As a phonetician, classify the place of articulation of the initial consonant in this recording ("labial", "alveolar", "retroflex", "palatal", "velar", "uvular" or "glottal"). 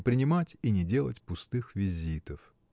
labial